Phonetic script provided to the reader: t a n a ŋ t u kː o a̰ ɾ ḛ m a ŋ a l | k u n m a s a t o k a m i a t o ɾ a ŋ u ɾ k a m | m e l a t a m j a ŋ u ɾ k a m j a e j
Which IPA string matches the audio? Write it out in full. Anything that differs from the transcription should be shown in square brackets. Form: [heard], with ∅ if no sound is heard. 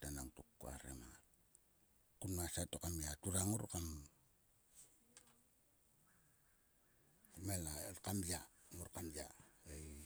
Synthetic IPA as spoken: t a n a ŋ t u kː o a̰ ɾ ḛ m a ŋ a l | k u n m a s a t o k a m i a t [u] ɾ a ŋ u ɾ k a m | m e l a [k] a m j a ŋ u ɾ k a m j a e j

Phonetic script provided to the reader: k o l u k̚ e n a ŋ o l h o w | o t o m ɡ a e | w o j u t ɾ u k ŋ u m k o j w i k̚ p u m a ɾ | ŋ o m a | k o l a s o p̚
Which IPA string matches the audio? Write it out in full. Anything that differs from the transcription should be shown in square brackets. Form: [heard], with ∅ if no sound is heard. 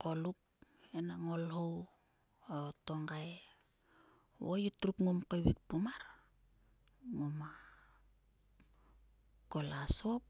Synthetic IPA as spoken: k o l u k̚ e n a ŋ o l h o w | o t o [ŋ] ɡ a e | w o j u t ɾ u k ŋ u m k o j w i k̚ p u m a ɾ | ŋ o m a | k o l a s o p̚

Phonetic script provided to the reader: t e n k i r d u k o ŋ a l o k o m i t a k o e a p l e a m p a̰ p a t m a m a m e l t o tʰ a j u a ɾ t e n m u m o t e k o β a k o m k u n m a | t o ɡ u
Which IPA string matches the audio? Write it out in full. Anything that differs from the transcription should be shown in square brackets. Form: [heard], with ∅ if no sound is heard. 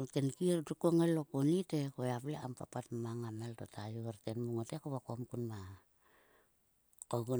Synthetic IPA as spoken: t e n k i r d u k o ŋ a l o k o [n] i t [e] k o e a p l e a m p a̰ p a t m a [ŋ] a m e l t o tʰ a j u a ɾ t e n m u [ŋ] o t e k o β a k o m k u n m a | [k] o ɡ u

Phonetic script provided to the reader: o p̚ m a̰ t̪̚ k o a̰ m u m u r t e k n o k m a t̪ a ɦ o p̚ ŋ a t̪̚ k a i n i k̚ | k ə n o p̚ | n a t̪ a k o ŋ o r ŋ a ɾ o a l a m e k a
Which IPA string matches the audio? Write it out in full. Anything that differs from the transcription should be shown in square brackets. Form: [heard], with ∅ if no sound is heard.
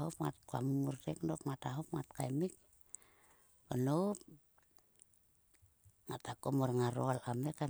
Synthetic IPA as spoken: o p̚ [ŋ] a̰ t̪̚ k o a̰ m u m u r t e k n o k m a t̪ a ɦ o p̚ ŋ a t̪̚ k a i [m] i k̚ | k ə n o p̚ | [ŋ] a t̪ a k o [m] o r ŋ a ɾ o a l a m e k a

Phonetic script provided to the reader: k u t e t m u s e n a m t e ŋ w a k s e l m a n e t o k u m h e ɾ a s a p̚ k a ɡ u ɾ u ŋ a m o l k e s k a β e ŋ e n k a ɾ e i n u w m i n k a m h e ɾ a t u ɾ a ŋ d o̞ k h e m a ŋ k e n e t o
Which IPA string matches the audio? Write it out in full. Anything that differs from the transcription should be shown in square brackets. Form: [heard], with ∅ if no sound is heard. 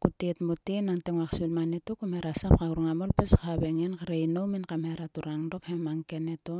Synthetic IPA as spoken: k u t e t m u [t] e n a [ŋ] t e ŋ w a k s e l m a n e t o k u m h e ɾ a s a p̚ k a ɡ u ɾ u ŋ a m o l [p] e s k a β e ŋ e n k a ɾ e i n [o] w m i n k a m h e ɾ a t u ɾ a ŋ d o̞ k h e m a ŋ k e n e t o

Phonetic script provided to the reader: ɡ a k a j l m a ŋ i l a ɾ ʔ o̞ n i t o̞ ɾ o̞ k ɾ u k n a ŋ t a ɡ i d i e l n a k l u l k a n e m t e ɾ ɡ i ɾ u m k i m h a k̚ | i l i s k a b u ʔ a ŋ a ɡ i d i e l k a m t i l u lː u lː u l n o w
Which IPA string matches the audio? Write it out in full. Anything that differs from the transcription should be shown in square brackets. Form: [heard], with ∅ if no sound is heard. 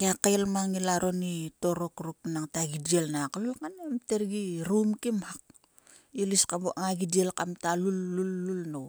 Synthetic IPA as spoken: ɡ a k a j l m a ŋ i l a ɾ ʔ o̞ n i t o̞ ɾ o̞ k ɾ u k n a ŋ t a ɡ i d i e l n a k l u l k a n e m t e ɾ ɡ i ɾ u m k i m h a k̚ | i l i s k a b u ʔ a ŋ a ɡ i d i e l k a m t [a] l u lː u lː u l n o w

